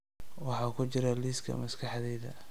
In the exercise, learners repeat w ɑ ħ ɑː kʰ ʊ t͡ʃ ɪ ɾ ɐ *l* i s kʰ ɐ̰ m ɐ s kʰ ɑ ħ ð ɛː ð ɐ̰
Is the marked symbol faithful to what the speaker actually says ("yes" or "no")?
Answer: yes